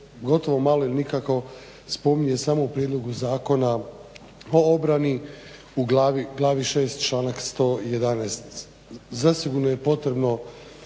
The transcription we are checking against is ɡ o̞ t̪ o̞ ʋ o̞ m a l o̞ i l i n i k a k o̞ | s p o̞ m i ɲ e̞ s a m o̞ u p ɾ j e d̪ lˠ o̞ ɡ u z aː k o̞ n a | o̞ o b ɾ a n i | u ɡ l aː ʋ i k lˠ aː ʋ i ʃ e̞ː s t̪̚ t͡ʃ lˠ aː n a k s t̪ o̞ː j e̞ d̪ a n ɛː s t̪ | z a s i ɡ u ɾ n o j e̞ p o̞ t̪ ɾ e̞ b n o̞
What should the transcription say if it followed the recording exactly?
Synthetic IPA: ɡ o̞ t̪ o̞ ʋ o̞ m a l o̞ i l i n i k a k o̞ | s p o̞ m i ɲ e̞ s a m o̞ u p ɾ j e d̪ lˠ o̞ ɡ u z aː k o̞ n a | o̞ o b ɾ a n i | u ɡ l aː ʋ i ɡ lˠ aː ʋ i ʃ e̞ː s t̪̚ t͡ʃ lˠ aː n a k s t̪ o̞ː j e̞ d̪ a n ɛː s t̪ | z a s i ɡ u ɾ n o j e̞ p o̞ t̪ ɾ e̞ b n o̞